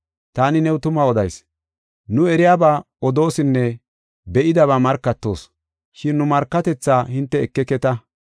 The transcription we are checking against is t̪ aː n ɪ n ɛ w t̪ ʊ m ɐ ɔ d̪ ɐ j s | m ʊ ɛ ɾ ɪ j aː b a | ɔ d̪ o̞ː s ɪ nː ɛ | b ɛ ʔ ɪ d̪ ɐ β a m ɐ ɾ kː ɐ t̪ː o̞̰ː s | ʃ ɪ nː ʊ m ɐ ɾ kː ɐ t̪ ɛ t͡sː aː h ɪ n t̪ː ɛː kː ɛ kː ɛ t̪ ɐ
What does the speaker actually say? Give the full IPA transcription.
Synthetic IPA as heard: t̪ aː n ɪ n ɛ w t̪ ʊ m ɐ ɔ d̪ ɐ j s | n ʊ ɛ ɾ ɪ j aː b a | ɔ d̪ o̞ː s ɪ nː ɛ | b ɛ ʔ ɪ d̪ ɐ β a m ɐ ɾ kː ɐ t̪ː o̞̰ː s | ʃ ɪ nː ʊ m ɐ ɾ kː ɐ t̪ ɛ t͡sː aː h ɪ n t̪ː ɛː kː ɛ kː ɛ t̪ ɐ